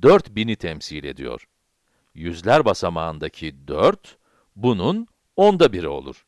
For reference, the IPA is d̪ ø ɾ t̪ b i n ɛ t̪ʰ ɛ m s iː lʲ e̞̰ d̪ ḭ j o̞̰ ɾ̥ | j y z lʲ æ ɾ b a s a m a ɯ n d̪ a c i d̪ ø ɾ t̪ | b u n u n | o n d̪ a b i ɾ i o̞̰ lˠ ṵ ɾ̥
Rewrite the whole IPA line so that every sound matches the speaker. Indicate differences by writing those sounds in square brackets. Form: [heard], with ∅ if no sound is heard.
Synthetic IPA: d̪ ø ɾ t̪ b i n [i] t̪ʰ ɛ m s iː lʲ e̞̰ d̪ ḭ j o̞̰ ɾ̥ | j y z lʲ æ ɾ b a s a m a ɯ n d̪ a [cʰ] i d̪ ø ɾ t̪ | b u n u n | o n d̪ a b i ɾ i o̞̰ lˠ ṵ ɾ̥